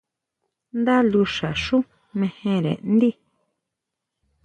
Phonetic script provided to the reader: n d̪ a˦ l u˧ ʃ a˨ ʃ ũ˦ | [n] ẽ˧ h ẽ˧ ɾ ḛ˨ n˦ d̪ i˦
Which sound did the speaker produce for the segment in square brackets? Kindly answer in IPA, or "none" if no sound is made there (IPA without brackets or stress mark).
m